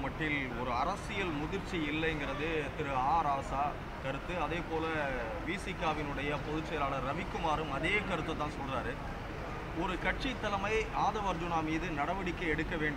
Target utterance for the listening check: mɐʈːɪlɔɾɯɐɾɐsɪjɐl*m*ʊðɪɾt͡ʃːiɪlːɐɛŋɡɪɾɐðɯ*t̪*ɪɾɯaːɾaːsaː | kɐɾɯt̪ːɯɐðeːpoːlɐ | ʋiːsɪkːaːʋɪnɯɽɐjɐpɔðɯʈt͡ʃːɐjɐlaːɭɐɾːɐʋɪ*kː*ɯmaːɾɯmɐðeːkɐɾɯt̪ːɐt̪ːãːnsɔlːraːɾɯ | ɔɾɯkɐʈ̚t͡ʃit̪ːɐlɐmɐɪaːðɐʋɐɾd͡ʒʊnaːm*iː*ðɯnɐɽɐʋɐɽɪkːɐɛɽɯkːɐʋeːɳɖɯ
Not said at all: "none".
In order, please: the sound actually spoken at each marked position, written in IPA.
m, t̪, kː, iː

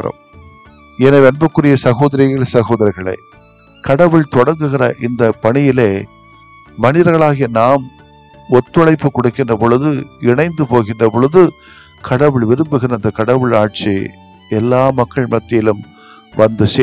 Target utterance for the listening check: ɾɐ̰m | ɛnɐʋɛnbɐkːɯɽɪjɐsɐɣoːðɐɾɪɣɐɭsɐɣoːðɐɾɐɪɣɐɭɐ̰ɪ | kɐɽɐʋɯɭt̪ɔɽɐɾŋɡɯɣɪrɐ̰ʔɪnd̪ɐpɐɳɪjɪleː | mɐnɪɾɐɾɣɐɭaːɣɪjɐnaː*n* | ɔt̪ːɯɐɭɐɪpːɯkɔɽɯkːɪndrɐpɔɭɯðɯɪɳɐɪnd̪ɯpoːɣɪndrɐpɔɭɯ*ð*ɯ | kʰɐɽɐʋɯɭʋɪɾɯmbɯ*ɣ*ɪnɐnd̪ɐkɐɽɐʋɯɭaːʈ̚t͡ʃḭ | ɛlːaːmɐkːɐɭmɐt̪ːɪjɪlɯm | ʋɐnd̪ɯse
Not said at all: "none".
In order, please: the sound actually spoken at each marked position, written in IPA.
m, ð, ɣ

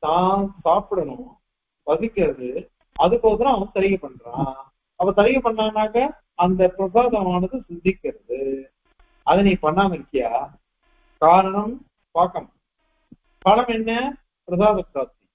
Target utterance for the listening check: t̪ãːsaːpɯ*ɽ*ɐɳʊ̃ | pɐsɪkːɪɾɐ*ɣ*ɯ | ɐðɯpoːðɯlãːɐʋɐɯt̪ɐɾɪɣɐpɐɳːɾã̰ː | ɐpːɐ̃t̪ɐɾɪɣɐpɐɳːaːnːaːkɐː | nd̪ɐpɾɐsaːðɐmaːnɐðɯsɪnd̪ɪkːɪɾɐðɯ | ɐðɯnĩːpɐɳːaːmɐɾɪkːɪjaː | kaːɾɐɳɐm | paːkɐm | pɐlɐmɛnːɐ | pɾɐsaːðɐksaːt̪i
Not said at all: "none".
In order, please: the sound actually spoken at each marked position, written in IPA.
ɽ, ð

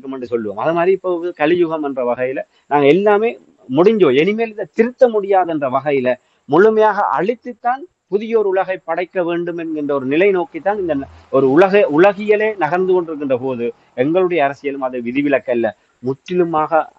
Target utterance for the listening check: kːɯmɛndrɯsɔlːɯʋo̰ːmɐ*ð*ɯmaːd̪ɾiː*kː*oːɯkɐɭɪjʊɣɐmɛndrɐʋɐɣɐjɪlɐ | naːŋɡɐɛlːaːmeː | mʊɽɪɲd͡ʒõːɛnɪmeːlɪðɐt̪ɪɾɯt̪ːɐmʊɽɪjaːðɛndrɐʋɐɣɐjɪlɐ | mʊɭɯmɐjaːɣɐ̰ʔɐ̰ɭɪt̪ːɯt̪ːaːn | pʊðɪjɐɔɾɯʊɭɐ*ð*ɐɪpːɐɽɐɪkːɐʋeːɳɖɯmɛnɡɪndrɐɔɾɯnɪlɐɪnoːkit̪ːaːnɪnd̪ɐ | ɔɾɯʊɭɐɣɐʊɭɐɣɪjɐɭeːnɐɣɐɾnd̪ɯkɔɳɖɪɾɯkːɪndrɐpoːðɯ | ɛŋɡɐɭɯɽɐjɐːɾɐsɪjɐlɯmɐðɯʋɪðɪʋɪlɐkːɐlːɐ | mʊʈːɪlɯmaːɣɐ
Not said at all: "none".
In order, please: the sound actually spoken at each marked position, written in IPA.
ð, pː, ɣ

